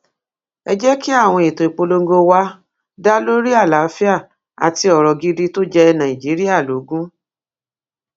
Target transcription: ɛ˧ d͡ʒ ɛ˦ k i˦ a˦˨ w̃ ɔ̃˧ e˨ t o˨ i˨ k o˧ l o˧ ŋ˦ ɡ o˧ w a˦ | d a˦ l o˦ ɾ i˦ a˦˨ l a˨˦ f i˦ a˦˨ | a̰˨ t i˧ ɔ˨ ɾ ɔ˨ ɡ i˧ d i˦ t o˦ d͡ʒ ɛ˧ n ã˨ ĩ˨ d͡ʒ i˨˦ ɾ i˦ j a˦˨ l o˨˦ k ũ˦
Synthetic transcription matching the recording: ɛ˧ d͡ʒ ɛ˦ k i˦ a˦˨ w̃ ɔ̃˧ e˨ t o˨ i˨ k͡p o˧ l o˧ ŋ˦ ɡ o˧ w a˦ | d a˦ l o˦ ɾ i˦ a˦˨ l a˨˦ f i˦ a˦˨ | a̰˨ t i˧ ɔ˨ ɾ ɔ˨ ɡ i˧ d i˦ t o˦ d͡ʒ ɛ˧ n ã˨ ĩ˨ d͡ʒ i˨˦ ɾ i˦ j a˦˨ l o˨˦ ɡ ũ˦